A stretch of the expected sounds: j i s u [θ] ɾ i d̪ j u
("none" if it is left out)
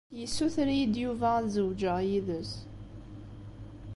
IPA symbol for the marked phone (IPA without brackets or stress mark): θ